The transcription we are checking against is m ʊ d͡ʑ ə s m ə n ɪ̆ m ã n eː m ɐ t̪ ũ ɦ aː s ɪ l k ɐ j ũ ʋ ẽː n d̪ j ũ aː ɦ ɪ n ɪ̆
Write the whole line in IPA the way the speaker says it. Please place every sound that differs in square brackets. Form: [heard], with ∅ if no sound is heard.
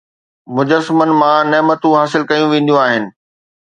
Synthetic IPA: m ʊ d͡ʑ ə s m ə n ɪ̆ m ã n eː m [ə] t̪ ũ ɦ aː s ɪ l k ɐ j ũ ʋ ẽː n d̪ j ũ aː ɦ ɪ n ɪ̆